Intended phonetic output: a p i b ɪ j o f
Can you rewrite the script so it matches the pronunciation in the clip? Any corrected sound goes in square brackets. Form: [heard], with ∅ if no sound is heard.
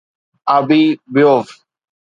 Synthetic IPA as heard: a [b] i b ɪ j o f